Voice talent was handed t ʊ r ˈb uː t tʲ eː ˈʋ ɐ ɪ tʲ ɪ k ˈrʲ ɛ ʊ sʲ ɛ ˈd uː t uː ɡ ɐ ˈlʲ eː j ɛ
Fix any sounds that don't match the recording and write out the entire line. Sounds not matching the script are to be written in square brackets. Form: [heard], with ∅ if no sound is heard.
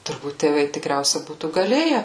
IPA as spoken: t ʊ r ˈb uː t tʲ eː ˈʋ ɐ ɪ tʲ ɪ k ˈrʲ ɛ ʊ sʲ ɛ [ˈb] uː t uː ɡ ɐ ˈlʲ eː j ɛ